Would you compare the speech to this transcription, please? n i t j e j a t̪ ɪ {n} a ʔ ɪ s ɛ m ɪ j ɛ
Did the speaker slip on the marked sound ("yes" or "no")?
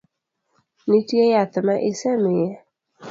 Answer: yes